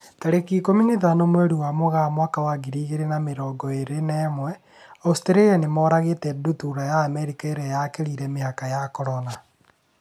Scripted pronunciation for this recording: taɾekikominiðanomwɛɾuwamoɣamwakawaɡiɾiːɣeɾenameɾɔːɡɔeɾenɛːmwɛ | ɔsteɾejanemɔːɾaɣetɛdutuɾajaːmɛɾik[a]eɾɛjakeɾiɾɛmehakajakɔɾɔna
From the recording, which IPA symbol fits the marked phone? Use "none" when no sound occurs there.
a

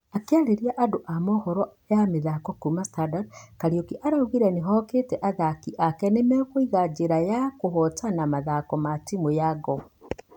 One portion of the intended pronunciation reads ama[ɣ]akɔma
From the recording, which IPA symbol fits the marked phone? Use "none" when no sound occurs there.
ð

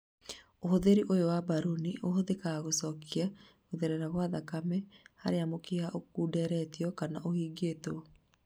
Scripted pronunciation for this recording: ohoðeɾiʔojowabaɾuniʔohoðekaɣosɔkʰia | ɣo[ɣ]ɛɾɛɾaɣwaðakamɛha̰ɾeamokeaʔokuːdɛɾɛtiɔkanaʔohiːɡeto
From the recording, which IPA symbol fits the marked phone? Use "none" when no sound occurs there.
ð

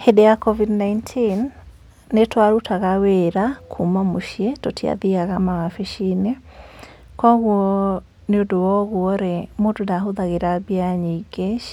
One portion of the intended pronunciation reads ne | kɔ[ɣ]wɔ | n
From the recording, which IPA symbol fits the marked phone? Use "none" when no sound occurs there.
ɣ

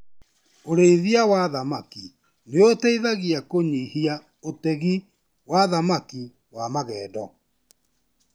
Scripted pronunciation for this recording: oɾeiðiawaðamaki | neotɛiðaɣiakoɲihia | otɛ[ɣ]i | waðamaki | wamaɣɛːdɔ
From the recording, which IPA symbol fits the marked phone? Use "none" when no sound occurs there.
ɣ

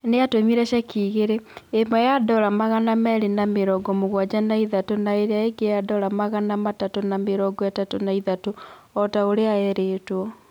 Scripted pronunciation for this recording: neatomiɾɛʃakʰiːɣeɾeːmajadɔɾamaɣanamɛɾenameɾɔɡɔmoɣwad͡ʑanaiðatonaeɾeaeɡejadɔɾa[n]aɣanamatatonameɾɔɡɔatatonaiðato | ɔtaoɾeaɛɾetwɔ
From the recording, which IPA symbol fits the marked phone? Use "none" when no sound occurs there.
m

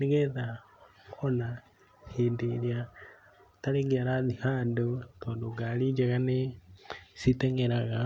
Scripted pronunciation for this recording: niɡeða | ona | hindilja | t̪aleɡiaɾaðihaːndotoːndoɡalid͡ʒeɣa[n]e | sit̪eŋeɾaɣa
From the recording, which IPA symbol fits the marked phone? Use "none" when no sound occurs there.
n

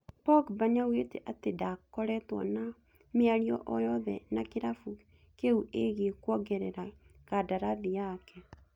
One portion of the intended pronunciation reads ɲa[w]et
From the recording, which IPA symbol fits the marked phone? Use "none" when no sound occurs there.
w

